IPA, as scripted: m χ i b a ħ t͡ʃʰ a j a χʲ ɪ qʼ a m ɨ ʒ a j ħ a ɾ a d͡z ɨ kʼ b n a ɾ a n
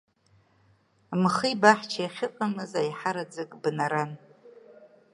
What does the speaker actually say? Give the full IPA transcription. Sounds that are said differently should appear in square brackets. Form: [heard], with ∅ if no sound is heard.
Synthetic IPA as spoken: m χ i b a ħ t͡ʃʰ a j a χʲ ɪ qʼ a m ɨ [z] a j ħ a ɾ a d͡z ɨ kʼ b n a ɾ a n